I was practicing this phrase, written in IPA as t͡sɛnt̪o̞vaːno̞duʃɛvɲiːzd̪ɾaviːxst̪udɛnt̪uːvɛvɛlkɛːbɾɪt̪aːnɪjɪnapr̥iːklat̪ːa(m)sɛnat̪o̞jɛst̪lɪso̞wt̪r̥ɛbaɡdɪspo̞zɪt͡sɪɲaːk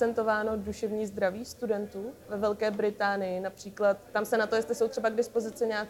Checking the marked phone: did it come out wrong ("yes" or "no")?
no